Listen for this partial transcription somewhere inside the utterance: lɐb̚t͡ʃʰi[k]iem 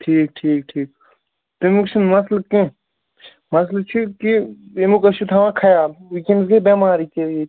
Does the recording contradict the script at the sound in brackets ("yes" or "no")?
no